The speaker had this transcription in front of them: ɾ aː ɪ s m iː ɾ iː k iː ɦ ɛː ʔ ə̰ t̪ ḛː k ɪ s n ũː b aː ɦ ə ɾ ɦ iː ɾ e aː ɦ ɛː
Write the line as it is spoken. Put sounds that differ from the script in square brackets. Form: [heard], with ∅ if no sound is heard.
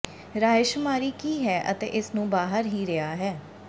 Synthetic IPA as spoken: ɾ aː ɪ [ʃ] m [aː] ɾ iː k iː ɦ ɛː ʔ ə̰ t̪ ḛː [ʔ] ɪ s n ũː b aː ɦ ə ɾ ɦ iː ɾ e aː ɦ ɛː